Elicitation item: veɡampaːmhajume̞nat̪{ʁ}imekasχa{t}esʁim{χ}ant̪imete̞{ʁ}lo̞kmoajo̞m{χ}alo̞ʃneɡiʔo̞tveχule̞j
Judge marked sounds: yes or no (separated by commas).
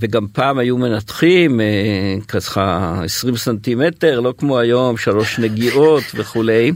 no, no, no, yes, no